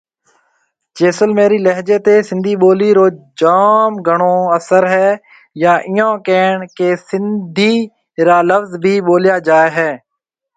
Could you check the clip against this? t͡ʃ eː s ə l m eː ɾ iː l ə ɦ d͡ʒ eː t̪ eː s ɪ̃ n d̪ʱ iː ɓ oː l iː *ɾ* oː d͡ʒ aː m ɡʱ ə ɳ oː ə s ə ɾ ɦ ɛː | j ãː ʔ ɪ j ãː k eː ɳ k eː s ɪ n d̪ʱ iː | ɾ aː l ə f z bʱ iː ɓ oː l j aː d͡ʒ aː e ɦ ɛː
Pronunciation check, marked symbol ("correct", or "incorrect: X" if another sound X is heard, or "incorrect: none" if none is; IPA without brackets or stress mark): correct